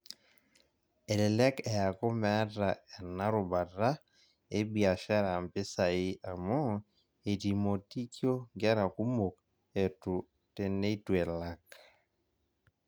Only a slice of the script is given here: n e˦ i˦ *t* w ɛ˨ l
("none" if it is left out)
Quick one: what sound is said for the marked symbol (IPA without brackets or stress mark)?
t